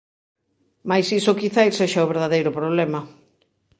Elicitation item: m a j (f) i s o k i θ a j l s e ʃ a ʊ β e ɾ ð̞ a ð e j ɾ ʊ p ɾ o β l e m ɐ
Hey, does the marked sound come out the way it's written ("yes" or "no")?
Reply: no